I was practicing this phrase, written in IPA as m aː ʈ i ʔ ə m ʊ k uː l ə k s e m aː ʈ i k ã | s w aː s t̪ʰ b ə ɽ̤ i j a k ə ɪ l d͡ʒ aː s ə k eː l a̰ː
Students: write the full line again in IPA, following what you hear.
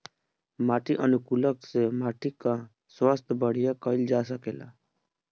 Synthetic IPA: m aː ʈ i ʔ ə n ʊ k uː l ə k s e m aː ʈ i k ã | s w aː s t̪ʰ b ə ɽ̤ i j a k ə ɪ l d͡ʒ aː s ə k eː l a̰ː